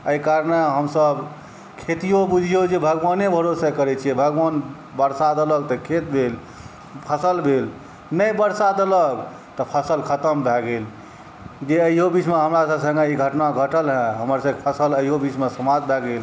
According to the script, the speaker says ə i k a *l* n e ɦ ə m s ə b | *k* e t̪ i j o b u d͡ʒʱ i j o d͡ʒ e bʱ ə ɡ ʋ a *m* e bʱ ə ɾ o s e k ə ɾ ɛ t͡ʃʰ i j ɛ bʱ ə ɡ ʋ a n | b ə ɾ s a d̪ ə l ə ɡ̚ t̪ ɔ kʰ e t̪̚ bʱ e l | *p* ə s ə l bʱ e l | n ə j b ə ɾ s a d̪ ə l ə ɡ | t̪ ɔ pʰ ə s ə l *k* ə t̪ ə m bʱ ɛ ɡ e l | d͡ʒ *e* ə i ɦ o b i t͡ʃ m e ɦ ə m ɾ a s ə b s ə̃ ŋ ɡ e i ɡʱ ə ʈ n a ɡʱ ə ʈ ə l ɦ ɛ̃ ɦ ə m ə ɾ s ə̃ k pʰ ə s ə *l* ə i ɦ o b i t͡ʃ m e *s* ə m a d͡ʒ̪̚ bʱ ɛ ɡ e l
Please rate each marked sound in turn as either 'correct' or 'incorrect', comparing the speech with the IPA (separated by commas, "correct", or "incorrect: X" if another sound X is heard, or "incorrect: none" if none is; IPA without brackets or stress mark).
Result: incorrect: ɾ, incorrect: kʰ, incorrect: n, incorrect: pʰ, incorrect: kʰ, correct, correct, correct